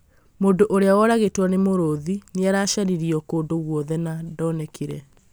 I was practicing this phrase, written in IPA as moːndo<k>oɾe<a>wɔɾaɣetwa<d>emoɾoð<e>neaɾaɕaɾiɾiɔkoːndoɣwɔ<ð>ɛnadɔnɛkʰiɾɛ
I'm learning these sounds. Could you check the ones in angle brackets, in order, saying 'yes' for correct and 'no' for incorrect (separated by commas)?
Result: no, yes, no, no, yes